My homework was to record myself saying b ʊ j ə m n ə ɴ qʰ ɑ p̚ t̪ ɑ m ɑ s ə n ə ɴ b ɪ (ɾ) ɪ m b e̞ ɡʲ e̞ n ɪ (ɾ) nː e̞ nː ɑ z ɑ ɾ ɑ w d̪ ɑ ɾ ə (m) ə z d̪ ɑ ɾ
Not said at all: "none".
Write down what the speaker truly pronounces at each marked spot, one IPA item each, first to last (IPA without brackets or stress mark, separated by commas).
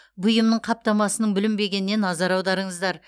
l, none, ɴ